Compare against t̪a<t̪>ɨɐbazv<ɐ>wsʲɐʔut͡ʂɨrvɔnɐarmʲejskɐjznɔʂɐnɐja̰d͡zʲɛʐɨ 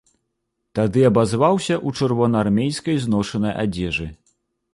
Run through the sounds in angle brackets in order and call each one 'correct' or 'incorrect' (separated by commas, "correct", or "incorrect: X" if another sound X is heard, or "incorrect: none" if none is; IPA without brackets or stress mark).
incorrect: d̪, incorrect: a